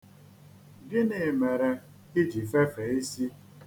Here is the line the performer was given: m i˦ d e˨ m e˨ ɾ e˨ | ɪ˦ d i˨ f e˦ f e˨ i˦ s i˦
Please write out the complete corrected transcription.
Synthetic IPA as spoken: b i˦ n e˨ m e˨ ɾ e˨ | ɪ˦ d͡ʒ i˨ f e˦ f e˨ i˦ s i˦